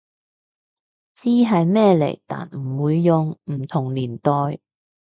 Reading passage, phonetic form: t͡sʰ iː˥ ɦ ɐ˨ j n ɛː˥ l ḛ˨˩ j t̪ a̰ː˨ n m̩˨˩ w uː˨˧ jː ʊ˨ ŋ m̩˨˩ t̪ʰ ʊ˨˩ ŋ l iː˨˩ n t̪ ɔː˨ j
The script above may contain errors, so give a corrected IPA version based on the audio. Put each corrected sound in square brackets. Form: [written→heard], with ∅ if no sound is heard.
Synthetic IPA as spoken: [t͡sʰ→t͡s] iː˥ ɦ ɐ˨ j [n→m] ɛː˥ l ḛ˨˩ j t̪ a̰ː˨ n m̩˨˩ w uː˨˧ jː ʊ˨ ŋ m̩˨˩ t̪ʰ ʊ˨˩ ŋ l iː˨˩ n t̪ ɔː˨ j